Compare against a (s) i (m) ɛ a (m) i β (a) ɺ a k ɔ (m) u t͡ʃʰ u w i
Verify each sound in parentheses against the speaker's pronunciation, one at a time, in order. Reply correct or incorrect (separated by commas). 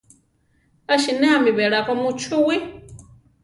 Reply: incorrect, incorrect, correct, incorrect, correct